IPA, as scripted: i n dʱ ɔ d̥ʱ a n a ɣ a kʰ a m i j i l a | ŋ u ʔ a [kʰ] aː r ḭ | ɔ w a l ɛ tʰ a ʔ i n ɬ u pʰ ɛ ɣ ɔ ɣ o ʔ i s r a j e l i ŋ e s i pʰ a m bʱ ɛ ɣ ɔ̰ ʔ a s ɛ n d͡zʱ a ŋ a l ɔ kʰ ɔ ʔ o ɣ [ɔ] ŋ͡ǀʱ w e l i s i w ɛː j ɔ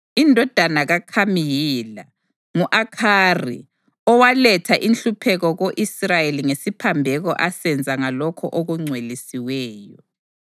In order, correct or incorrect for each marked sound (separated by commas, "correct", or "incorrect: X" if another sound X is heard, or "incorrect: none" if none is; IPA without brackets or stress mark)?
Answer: correct, incorrect: u